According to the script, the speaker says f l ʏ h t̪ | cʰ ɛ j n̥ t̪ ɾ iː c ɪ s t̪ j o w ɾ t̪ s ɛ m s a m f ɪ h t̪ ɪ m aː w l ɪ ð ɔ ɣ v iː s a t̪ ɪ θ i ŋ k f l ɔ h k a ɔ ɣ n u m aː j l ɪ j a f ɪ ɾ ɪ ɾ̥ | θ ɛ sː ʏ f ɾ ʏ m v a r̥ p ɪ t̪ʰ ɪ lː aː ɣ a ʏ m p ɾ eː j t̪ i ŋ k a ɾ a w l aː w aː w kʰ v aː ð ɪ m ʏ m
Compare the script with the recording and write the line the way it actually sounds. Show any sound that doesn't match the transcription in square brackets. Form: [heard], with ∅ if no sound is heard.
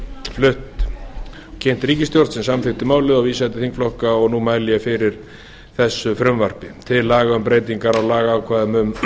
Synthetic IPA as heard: f l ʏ h t̪ | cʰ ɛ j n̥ t̪ ɾ iː c ɪ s t̪ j o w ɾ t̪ s ɛ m s a m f ɪ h t̪ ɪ m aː w l ɪ ð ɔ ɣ v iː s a t̪ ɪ θ i ŋ k f l ɔ h k a ɔ ɣ n u m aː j l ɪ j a f ɪ ɾ ɪ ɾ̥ | θ ɛ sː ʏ f ɾ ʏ m v a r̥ p ɪ t̪ʰ ɪ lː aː ɣ a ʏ m p ɾ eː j t̪ i ŋ k a ɾ a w l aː [ɣ] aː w kʰ v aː ð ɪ m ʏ m